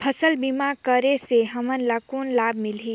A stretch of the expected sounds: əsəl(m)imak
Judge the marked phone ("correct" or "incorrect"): incorrect